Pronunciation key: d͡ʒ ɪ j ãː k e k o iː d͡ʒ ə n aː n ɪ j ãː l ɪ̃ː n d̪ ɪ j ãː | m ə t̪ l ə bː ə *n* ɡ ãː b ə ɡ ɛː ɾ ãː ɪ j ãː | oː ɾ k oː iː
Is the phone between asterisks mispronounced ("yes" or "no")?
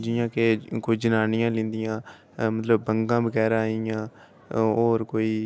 yes